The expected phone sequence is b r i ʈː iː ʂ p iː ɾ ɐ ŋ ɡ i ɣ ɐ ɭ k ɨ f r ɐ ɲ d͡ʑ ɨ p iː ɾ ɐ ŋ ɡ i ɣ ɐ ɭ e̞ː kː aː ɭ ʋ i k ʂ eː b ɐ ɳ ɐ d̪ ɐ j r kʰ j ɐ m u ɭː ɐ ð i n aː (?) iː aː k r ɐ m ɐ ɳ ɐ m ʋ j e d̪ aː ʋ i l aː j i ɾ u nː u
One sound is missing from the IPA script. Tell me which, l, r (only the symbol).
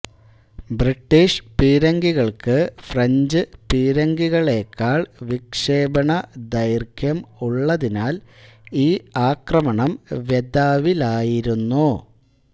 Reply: l